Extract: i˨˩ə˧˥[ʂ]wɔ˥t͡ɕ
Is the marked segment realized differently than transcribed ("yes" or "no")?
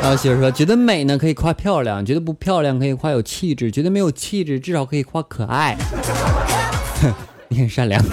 no